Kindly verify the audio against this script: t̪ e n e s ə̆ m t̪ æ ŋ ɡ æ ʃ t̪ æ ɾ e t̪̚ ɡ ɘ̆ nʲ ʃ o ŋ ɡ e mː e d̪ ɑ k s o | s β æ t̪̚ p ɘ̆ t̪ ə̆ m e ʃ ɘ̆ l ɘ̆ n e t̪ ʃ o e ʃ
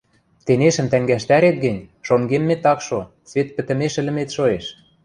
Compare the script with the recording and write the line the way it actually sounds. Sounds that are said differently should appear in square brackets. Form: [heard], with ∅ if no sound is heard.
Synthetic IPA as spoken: t̪ e n e [ʃ] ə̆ m t̪ æ ŋ ɡ æ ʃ t̪ æ ɾ e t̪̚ ɡ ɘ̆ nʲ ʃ o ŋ ɡ e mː e [t̪] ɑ k [ʃ] o | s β [e] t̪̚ p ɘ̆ t̪ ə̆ m e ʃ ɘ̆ l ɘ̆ [m] e t̪ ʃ o e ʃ